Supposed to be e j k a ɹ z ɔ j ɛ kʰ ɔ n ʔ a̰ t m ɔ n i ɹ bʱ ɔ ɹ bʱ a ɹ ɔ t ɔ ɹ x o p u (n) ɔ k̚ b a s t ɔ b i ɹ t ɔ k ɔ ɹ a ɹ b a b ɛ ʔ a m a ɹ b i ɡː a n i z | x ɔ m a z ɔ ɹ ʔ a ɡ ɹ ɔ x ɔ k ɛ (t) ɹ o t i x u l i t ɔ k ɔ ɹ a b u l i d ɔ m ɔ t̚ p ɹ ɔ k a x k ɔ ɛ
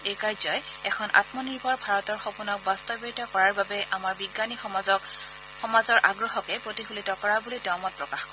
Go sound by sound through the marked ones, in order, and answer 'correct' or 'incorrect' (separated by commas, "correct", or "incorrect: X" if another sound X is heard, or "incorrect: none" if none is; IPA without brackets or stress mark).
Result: correct, incorrect: p